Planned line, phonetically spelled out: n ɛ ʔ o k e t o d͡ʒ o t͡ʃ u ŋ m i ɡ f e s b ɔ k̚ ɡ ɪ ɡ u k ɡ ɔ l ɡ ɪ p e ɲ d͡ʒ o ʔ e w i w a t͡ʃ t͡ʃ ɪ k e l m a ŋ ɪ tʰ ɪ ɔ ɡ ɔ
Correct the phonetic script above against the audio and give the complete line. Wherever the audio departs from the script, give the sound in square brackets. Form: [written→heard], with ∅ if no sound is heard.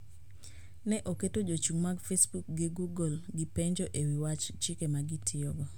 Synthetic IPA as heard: n ɛ ʔ o k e t o d͡ʒ o t͡ʃ u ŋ m [i→a] ɡ f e s b [ɔ→u] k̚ ɡ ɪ ɡ u [k→∅] ɡ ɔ l ɡ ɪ p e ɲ d͡ʒ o ʔ e w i w a t͡ʃ t͡ʃ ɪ k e [l→∅] m a [ŋ→ɡ] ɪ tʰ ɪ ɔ ɡ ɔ